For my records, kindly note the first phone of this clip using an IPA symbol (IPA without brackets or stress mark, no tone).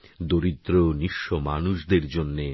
d̪